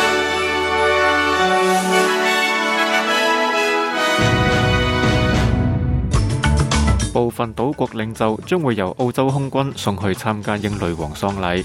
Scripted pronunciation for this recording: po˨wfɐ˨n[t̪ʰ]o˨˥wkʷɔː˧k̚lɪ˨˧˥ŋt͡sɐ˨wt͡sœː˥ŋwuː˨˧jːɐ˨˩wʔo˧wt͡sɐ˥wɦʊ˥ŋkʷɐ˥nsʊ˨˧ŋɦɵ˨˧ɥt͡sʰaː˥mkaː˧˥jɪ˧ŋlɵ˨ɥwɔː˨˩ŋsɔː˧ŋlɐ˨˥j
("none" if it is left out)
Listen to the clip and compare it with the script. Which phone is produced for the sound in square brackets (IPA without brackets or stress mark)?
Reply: t̪